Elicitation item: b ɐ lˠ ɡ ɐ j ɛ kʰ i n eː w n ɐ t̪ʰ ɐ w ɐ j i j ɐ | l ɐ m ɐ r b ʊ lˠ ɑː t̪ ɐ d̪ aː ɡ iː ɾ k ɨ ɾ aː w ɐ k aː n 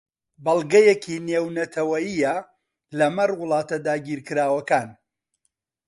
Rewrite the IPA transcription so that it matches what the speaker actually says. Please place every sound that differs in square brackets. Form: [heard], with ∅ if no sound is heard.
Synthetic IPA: b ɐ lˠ ɡ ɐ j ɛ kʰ i n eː w n ɐ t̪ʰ ɐ w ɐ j i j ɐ | l ɐ m ɐ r [w] ʊ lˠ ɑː t̪ ɐ d̪ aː ɡ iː ɾ k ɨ ɾ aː w ɐ k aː n

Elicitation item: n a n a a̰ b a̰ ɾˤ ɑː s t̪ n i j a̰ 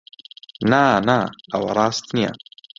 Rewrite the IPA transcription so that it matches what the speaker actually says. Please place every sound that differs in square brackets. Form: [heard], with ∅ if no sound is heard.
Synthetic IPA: n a n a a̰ [w] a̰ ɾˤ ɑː s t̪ n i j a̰

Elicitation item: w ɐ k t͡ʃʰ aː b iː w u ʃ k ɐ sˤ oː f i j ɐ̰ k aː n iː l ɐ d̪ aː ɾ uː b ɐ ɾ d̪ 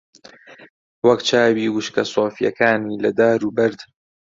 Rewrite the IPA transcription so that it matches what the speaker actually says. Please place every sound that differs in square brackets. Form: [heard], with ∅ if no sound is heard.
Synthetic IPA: w ɐ k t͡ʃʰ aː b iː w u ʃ k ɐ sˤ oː f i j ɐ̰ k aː n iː l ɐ d̪ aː ɾ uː b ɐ ɾ d̪

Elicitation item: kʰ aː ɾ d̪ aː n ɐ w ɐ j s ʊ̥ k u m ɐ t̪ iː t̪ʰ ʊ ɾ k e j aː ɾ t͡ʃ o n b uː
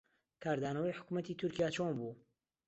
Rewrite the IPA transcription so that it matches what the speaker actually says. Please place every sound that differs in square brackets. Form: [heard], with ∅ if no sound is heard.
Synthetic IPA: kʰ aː ɾ d̪ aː n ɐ w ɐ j [ħ] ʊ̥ k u m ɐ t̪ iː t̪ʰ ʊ ɾ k [i] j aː [∅] t͡ʃ o n b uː

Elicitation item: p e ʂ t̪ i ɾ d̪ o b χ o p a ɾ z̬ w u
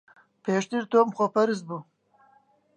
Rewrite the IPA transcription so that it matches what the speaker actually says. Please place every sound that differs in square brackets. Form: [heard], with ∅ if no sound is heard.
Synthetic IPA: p e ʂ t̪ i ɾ [t̪] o [m] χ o p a ɾ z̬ [b] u

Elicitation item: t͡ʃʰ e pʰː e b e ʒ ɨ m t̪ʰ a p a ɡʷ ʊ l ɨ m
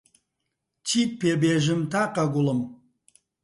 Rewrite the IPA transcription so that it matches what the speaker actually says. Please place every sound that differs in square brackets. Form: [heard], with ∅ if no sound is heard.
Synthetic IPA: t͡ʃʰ [i] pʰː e b e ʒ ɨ m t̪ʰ a [q] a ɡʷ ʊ l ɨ m

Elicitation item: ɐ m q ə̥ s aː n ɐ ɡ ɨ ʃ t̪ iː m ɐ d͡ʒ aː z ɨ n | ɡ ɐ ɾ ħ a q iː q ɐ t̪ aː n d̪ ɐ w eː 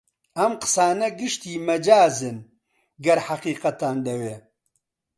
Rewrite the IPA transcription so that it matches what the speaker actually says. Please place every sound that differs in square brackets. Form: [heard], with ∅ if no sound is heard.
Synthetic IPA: ɐ m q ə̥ s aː n ɐ ɡ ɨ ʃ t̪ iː m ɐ d͡ʒ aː z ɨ n | ɡ ɐ ɾ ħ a q iː q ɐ t̪ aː n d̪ ɐ w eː

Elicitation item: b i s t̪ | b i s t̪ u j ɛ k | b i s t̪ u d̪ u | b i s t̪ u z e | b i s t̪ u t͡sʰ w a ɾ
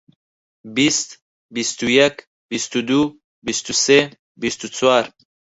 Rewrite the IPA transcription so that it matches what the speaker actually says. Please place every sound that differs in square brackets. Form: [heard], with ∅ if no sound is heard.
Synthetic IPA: b i s t̪ | b i s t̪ u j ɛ k | b i s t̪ u d̪ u | b i s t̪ u [s] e | b i s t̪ u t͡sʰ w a ɾ

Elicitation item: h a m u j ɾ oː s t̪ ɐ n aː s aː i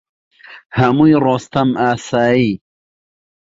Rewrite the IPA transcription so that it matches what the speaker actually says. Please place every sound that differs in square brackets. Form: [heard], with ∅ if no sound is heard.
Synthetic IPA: h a m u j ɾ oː s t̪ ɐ [m] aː s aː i

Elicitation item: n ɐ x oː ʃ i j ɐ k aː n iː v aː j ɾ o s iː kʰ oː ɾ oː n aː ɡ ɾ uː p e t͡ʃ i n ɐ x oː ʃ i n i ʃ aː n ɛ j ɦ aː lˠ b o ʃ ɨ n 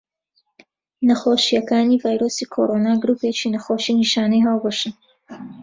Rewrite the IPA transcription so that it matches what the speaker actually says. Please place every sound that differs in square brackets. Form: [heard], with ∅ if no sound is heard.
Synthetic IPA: n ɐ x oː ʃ i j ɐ k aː n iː v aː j ɾ o s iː kʰ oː ɾ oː n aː ɡ ɾ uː p e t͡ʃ i n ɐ x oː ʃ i n i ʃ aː n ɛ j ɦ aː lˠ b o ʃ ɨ n

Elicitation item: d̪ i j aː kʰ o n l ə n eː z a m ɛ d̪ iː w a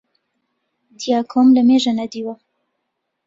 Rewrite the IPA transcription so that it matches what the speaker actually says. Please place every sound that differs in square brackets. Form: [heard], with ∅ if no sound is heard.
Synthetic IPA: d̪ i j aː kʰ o [m] l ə [m] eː [ʒ] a [n] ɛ d̪ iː w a

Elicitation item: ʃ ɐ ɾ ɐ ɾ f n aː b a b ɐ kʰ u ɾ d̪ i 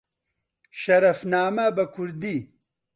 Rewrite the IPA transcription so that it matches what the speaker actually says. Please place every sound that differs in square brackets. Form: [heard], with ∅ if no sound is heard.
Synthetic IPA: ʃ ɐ ɾ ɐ [∅] f n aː [m] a b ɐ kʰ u ɾ d̪ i

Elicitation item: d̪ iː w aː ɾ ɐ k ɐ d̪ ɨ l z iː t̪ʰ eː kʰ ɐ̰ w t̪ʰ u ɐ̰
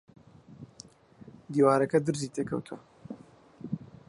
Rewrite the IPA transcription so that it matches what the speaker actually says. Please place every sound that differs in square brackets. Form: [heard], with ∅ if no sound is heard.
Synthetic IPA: d̪ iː w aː ɾ ɐ k ɐ d̪ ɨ [ɾ] z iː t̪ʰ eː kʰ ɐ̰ w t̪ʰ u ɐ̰

